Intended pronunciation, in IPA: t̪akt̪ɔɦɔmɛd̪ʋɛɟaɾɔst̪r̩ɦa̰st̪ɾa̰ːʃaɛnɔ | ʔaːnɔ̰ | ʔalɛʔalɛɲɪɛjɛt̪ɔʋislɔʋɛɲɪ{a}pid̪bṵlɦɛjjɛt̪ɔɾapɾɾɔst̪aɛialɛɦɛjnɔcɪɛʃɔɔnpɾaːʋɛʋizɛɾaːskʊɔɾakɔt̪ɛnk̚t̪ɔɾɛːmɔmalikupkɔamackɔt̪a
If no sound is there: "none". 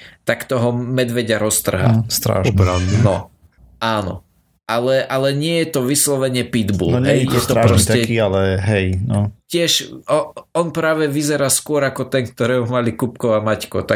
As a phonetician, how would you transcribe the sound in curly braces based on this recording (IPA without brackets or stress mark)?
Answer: ɛ